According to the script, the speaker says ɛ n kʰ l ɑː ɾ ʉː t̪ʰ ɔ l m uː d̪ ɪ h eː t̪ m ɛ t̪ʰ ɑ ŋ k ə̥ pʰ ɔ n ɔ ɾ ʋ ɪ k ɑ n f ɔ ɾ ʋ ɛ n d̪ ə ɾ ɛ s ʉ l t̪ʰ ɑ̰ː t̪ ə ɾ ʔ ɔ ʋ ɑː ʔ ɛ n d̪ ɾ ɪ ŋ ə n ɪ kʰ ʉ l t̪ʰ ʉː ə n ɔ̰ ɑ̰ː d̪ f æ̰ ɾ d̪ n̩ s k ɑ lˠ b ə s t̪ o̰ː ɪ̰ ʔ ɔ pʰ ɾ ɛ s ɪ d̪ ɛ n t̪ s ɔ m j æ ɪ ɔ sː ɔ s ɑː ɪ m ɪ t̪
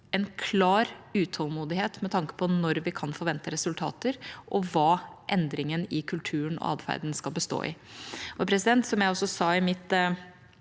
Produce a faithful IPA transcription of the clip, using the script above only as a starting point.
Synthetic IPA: ɛ n kʰ l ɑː ɾ ʉː t̪ʰ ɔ l m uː d̪ ɪ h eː t̪ m ɛ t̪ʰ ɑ ŋ k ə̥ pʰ ɔ n ɔ ɾ ʋ ɪ kʰ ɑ n f ɔ ɾ ʋ ɛ n t̪ ə ɾ ɛ s ʉ l t̪ʰ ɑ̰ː t̪ ə ɾ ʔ ɔ ʋ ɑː ʔ ɛ n d̪ ɾ ɪ ŋ ə n ɪ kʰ ʉ l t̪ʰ ʉː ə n ɔ̰ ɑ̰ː d̪ f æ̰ ɾ d̪ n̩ s k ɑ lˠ b ə s t̪ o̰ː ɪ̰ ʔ ɔ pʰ ɾ ɛ s ɪ d̪ ɛ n t̪ s ɔ m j æ ɪ ɔ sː ɔ s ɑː ɪ m ɪ t̪